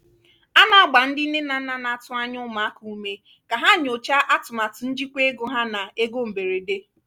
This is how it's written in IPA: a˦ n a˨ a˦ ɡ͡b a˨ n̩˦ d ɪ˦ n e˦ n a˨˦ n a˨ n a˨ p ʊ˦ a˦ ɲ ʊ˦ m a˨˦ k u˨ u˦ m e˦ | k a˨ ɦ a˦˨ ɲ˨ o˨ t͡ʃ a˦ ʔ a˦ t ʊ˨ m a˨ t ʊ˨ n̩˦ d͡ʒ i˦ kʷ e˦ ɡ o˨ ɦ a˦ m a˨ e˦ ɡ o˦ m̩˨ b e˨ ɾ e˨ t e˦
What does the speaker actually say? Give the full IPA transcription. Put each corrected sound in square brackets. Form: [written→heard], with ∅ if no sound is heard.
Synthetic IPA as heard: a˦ n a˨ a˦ ɡ͡b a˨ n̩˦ d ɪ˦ n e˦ n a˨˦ n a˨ n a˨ [p→t] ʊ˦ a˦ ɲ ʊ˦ m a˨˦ k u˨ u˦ m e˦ | k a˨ ɦ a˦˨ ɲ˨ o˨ t͡ʃ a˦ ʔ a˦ t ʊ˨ m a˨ t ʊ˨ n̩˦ d͡ʒ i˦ kʷ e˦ ɡ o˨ ɦ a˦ [m→n] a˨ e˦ ɡ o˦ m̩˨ b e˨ ɾ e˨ [t→d] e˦